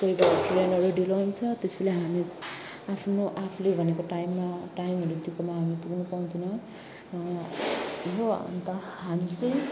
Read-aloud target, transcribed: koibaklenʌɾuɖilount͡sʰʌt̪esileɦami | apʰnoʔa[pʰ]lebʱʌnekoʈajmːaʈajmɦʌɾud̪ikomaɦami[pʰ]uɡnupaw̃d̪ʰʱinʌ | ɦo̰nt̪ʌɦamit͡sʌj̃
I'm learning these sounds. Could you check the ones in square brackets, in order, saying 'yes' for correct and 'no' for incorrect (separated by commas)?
yes, no